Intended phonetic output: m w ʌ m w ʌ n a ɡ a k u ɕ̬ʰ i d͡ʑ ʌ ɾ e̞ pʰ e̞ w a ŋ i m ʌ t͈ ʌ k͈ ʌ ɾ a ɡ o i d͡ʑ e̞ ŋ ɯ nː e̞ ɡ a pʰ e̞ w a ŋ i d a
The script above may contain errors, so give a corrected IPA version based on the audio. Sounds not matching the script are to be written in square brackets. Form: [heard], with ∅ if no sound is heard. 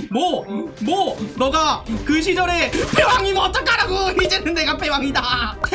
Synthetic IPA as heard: m w ʌ m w ʌ n [ʌ] ɡ a k [ɯ] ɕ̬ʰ i d͡ʑ ʌ ɾ e̞ pʰ e̞ w a ŋ i m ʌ t͈ ʌ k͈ [a] ɾ a ɡ o i d͡ʑ e̞ [n] ɯ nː e̞ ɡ a pʰ e̞ w a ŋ i d a